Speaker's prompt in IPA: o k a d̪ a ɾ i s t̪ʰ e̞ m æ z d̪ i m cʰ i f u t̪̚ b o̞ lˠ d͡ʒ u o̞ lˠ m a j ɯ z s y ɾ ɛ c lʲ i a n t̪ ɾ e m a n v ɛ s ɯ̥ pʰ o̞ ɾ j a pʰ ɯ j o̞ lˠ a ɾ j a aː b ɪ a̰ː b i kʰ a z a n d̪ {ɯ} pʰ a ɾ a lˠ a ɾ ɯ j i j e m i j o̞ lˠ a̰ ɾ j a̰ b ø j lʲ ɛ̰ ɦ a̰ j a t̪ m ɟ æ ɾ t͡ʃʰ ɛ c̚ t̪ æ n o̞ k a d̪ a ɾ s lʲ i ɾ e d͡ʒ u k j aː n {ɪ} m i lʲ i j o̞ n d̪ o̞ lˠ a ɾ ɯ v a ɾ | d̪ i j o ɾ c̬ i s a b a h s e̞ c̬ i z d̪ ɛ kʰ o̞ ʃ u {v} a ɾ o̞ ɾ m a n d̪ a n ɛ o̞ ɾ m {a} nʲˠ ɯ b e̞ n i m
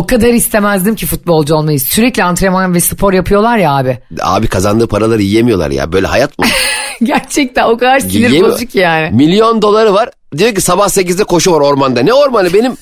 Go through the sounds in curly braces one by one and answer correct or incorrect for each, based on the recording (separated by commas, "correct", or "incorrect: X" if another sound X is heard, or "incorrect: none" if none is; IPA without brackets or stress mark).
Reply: incorrect: ɯː, correct, correct, correct